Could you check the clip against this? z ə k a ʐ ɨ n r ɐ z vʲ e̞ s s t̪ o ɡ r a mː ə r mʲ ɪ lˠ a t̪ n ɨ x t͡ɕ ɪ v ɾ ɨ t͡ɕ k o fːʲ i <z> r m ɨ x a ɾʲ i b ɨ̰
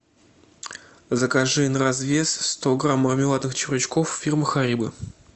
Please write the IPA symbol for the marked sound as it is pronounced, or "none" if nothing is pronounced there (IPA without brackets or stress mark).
none